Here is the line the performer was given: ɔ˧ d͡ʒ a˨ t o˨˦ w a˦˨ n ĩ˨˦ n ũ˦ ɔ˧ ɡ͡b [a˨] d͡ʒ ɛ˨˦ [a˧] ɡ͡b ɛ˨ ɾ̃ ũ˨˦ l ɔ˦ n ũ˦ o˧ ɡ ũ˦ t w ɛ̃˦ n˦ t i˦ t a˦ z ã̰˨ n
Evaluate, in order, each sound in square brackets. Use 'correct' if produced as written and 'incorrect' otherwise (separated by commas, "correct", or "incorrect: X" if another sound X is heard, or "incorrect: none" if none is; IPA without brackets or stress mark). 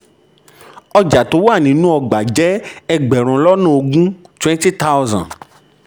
correct, incorrect: ɛ˧